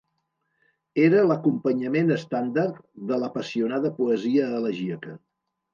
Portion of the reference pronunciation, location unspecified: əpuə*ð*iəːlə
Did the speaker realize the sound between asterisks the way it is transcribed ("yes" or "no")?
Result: no